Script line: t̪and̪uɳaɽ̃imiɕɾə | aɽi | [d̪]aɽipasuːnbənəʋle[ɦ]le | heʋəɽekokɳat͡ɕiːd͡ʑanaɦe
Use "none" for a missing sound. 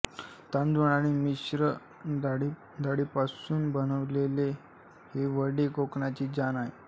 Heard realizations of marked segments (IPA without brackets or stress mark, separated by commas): d̪, none